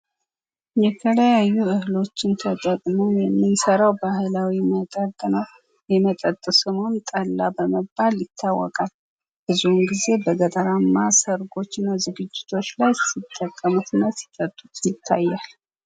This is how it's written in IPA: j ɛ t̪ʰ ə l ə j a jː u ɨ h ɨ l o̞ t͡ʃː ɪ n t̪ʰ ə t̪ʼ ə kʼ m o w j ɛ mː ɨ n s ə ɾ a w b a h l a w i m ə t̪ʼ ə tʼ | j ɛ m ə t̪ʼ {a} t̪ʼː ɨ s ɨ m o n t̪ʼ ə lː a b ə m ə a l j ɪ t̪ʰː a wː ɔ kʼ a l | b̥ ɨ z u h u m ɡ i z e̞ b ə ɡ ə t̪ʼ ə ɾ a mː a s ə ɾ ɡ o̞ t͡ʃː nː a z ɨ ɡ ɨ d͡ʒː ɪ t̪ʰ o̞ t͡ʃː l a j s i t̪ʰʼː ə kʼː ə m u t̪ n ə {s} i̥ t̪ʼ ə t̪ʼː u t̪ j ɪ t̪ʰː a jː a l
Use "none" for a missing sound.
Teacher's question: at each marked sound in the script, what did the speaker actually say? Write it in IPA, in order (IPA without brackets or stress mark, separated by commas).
ə, s